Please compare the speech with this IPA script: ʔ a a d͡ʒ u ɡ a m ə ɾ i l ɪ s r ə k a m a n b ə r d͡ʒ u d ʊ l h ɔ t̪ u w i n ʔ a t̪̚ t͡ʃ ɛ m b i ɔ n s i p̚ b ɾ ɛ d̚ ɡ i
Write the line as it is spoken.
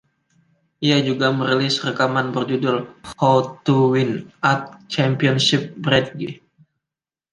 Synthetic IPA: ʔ i a d͡ʒ u ɡ a m ə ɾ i l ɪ s r ə k a m a n b ə r d͡ʒ u d ʊ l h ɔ t̪ u w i n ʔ a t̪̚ t͡ʃ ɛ m p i ɔ n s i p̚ b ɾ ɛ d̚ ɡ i